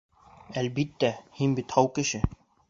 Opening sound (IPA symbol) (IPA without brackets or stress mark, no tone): æ